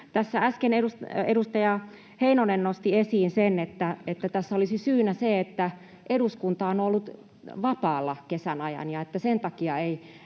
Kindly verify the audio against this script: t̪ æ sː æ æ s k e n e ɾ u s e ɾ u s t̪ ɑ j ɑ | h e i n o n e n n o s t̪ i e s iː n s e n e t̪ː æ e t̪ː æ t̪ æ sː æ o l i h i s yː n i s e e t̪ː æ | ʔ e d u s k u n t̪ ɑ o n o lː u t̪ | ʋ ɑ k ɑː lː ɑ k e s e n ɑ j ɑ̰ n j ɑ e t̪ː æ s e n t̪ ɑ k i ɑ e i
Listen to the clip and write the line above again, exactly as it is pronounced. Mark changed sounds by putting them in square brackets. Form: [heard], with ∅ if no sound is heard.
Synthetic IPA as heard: t̪ æ sː æ æ s k e n e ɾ u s e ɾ u s t̪ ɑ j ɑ | h e i n o n e n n o s t̪ i e s iː n s e n e t̪ː æ e t̪ː æ t̪ æ sː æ o l i [s] i s yː n [æ] s e e t̪ː æ | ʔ e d u s k u n t̪ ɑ o n o lː u t̪ | ʋ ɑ [p] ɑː lː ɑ k e s [æ] n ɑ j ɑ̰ n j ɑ e t̪ː æ s e n t̪ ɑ k i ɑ e i